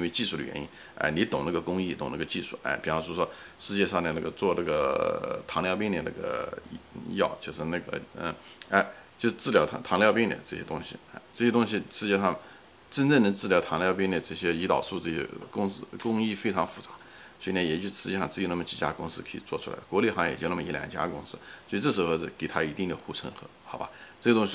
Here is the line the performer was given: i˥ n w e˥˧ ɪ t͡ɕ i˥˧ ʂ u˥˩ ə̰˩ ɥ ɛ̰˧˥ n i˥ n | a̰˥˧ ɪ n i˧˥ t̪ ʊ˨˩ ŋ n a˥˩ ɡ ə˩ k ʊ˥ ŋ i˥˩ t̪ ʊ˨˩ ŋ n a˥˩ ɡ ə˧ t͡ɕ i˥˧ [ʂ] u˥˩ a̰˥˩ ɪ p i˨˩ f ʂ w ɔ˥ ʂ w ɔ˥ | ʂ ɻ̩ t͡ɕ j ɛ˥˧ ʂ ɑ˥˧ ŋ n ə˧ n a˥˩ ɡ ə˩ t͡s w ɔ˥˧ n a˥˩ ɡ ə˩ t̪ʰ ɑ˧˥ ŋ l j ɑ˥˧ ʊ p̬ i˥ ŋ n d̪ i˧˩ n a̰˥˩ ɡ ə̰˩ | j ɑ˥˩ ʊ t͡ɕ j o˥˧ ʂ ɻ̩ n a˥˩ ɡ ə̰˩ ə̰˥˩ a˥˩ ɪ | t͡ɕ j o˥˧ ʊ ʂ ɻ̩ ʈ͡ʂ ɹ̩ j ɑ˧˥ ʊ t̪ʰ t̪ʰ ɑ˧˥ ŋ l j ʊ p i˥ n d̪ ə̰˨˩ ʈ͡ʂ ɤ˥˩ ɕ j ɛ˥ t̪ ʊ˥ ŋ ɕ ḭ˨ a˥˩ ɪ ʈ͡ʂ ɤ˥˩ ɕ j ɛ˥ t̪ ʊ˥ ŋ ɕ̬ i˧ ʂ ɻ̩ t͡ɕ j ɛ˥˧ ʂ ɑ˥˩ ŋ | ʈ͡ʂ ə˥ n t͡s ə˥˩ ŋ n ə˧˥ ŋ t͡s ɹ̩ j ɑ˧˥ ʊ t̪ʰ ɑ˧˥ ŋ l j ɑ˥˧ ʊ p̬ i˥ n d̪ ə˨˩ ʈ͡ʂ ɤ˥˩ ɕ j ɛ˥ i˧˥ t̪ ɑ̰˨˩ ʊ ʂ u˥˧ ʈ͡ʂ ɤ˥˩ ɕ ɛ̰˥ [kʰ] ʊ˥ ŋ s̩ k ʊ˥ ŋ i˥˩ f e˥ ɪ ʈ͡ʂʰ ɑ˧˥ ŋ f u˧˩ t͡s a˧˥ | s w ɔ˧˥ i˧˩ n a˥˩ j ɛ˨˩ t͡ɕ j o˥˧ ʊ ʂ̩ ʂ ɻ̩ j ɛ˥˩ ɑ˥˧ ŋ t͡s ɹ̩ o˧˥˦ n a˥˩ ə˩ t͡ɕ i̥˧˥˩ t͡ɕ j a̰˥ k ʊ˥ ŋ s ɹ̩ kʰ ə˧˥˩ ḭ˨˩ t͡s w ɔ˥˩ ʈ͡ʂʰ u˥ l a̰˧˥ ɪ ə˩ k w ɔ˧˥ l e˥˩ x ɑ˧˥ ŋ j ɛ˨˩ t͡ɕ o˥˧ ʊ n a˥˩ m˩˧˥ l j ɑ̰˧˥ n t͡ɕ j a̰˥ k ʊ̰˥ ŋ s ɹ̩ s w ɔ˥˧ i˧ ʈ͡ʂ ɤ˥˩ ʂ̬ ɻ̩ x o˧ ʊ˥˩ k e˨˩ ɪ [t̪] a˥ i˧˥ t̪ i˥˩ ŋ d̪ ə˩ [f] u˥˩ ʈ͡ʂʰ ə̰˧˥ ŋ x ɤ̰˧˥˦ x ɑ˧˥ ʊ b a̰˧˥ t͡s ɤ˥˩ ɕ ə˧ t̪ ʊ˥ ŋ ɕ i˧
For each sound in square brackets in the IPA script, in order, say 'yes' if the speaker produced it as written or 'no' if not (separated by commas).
yes, no, no, no